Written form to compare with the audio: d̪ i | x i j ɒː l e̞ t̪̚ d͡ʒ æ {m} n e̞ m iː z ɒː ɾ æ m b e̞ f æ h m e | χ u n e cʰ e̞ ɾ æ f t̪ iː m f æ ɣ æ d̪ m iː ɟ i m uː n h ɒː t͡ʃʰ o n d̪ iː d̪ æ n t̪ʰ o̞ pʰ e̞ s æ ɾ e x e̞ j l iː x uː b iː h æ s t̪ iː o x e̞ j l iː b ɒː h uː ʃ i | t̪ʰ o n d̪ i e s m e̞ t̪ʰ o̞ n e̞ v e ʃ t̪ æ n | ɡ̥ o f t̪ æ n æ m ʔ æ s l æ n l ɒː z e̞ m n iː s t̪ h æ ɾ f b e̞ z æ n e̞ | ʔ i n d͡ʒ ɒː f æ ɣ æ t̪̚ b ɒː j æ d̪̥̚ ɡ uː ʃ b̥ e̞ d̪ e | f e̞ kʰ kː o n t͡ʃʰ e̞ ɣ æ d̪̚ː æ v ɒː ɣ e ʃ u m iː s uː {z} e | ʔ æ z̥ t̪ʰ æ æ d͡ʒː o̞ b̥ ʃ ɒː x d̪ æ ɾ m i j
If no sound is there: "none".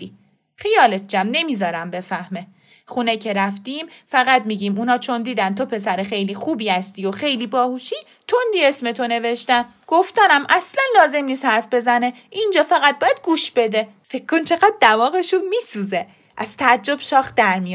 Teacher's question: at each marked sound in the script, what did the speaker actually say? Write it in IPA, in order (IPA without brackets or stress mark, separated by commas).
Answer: m, z